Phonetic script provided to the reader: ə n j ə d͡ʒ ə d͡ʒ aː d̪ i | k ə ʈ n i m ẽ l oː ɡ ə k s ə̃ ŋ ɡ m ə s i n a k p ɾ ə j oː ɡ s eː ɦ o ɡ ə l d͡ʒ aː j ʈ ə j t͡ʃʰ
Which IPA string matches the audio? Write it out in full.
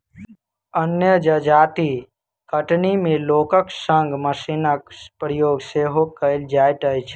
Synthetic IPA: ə n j ə d͡ʒ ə d͡ʒ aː t̪ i | k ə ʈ n i m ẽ l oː k ə k s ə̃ ŋ ɡ m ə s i n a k p ɾ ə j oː ɡ s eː ɦ o k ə l d͡ʒ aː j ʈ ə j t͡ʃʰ